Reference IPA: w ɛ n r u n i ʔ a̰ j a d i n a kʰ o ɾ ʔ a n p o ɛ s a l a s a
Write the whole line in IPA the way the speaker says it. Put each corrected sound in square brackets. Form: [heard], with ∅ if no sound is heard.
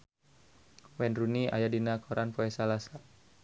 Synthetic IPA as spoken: w ɛ n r u n i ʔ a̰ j a d i n a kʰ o ɾ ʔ a n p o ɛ s a l a s a

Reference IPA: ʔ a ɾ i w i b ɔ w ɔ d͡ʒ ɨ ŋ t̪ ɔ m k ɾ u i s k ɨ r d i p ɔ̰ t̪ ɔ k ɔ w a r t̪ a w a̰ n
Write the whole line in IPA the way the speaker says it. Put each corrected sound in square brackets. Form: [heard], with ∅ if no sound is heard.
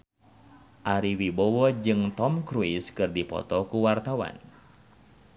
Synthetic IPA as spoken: ʔ a ɾ i w i b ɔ w ɔ d͡ʒ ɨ ŋ t̪ ɔ m k ɾ u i s k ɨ r d i p ɔ̰ t̪ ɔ k [u] w a r t̪ a w a̰ n

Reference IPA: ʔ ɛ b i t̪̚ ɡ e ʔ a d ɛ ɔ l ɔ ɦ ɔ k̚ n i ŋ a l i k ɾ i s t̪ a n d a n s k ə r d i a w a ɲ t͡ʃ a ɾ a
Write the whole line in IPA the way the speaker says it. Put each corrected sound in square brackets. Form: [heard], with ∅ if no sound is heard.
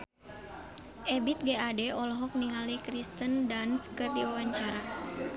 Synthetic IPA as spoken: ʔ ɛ b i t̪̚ ɡ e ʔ a d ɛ ɔ l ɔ ɦ ɔ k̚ n i ŋ a l i k ɾ i s t̪ [ə] n d a n s k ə r d i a w a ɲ t͡ʃ a ɾ a

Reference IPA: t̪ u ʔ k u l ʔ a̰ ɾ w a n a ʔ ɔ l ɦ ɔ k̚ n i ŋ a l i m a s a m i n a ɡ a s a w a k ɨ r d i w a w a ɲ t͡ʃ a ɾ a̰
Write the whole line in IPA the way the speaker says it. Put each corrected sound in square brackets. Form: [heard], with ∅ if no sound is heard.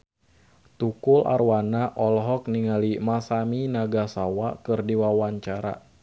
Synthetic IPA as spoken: t̪ u [∅] k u l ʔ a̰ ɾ w a n a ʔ ɔ l ɦ ɔ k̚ n i ŋ a l i m a s a m i n a ɡ a s a w a k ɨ r d i w a w a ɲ t͡ʃ a ɾ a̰

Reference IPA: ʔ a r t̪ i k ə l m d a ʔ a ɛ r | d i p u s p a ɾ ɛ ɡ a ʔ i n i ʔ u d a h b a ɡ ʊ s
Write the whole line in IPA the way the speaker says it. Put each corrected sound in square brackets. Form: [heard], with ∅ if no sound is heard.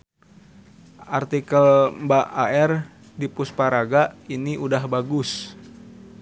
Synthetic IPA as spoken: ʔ a r t̪ i k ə l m [b] a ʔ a ɛ r | d i p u s p a ɾ [a] ɡ a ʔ i n i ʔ u d a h b a ɡ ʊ s

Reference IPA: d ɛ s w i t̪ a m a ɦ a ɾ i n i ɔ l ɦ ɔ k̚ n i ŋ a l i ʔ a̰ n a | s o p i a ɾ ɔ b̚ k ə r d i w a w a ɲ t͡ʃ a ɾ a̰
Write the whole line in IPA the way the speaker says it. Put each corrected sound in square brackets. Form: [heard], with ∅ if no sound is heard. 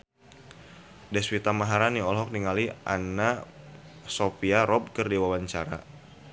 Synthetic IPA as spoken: d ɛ s w i t̪ a m a ɦ a ɾ [a] n i ɔ l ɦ ɔ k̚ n i ŋ a l i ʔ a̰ n a | s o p i a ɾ ɔ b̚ k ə r d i w a w a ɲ t͡ʃ a ɾ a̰

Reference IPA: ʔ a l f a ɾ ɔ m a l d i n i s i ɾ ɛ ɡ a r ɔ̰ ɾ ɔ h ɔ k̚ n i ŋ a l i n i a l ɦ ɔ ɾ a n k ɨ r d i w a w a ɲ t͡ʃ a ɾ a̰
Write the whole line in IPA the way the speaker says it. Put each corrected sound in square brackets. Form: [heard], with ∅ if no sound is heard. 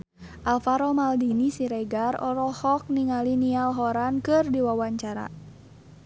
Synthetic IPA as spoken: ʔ a l f a ɾ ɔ m a l d i n i s i ɾ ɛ ɡ a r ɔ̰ ɾ ɔ h ɔ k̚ n i ŋ a l i n i a l ɦ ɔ ɾ a n k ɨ r d i w a w a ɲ t͡ʃ a ɾ a̰

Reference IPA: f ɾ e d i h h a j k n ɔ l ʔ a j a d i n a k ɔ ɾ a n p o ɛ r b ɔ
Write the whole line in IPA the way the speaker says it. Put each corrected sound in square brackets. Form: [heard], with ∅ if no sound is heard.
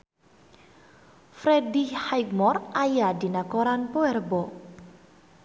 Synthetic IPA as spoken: f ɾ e d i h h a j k [m] ɔ [r] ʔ a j a d i n a k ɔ ɾ a n p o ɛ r b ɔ

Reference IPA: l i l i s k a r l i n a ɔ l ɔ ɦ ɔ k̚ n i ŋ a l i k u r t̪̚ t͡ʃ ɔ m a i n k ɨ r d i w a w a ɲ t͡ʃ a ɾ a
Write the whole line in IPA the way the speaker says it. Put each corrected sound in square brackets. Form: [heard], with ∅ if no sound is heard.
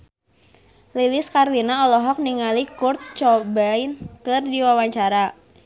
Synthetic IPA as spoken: l i l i s k a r l i n a ɔ l ɔ ɦ ɔ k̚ n i ŋ a l i k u r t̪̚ t͡ʃ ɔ [b] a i n k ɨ r d i w a w a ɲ t͡ʃ a ɾ a

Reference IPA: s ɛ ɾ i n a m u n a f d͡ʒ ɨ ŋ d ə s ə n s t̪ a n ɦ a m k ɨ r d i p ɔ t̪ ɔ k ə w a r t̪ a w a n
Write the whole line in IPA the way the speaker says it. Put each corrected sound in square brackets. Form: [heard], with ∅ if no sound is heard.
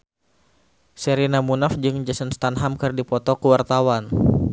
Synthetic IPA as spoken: s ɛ ɾ i n a m u n a f d͡ʒ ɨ ŋ [d͡ʒ] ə s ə n s t̪ a n ɦ a m k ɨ r d i p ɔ t̪ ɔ k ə w a r t̪ a w a n

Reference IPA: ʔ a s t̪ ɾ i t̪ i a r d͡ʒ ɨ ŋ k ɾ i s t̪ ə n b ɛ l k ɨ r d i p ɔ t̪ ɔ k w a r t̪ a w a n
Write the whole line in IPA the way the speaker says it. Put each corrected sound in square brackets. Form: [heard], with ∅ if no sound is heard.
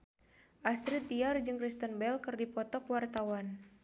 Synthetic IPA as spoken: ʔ a s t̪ ɾ i t̪ i a r d͡ʒ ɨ ŋ k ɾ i s t̪ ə n b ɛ l k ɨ r d i p ɔ t̪ ɔ k w a r t̪ a w a n

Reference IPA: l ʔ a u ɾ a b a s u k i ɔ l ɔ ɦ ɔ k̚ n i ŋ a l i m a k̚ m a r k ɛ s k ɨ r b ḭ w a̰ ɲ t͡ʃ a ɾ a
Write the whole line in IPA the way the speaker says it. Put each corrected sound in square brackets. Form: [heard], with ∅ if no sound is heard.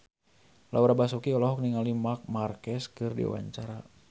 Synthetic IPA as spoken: l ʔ a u ɾ a b a s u k i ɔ l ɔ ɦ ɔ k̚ n i ŋ a l i m a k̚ m a r k ɛ s k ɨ r [d] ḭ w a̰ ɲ t͡ʃ a ɾ a

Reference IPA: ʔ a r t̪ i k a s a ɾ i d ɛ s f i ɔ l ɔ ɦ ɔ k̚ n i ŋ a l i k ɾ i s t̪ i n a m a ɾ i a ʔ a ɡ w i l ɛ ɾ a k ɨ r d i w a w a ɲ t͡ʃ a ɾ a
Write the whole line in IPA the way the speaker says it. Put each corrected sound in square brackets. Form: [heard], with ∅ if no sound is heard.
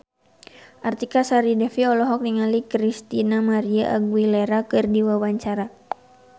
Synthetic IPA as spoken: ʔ a r t̪ i k a s a ɾ i d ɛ [∅] f i ɔ l ɔ ɦ ɔ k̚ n i ŋ a l i k ɾ i s t̪ i n a m a ɾ i a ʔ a ɡ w i l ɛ ɾ a k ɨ r d i w a w a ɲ t͡ʃ a ɾ a

